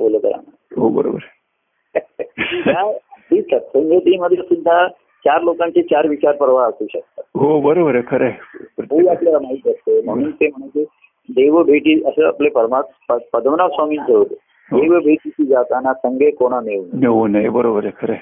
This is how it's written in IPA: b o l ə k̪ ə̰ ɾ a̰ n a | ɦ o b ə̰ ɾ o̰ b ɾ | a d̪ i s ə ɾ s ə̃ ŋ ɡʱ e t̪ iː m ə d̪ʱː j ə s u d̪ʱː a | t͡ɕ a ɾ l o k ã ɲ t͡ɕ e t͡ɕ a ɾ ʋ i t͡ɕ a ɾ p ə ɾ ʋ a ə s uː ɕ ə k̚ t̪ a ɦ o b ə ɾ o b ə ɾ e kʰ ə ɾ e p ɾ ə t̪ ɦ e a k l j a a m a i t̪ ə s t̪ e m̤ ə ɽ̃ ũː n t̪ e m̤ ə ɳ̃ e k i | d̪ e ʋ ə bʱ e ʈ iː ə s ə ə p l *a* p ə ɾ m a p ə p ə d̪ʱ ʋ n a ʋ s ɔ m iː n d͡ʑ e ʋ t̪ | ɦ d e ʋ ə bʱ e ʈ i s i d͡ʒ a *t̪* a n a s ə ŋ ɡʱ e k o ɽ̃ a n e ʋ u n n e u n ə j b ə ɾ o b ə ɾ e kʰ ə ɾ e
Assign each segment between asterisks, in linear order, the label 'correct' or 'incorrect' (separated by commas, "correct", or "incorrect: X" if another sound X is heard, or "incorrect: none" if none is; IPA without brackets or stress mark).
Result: incorrect: e, correct